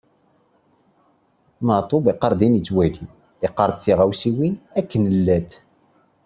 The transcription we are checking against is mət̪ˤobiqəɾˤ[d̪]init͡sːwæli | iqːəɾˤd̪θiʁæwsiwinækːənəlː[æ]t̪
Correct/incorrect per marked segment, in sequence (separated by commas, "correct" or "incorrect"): correct, correct